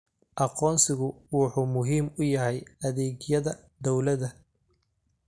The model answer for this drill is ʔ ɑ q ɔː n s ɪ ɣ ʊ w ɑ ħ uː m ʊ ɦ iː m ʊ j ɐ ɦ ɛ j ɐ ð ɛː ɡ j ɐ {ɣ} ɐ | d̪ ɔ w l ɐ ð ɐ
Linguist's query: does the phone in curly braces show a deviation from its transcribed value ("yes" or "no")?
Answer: yes